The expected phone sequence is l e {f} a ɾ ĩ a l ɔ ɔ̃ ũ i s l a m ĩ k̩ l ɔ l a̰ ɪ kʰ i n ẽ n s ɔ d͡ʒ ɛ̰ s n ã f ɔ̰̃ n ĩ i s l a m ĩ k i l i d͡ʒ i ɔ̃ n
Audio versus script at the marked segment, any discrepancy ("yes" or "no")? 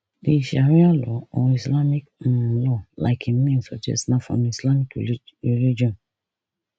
yes